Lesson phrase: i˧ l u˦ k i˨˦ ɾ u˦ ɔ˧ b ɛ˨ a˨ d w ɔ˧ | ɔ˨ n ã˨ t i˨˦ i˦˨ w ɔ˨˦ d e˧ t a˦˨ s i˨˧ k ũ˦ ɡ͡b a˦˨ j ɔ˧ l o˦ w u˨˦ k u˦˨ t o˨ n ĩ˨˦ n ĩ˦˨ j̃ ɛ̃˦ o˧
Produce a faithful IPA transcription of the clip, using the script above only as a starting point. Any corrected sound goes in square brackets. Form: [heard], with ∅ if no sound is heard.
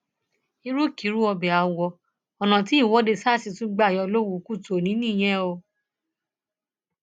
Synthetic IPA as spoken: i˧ [ɾ] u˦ k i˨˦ ɾ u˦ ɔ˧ b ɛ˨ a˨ [∅] w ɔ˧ | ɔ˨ n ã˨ t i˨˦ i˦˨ w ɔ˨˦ d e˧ [s] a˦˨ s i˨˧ [t] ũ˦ ɡ͡b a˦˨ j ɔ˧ l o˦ w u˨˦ k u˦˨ t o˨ n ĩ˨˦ n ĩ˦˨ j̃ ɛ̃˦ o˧